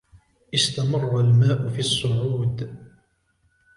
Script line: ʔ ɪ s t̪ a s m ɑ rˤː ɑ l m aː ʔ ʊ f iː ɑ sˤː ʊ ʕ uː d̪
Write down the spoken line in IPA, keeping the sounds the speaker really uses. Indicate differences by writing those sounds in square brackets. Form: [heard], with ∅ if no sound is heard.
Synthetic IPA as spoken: ʔ ɪ s t̪ a [∅] m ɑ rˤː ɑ l m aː ʔ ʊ f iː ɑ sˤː ʊ ʕ uː d̪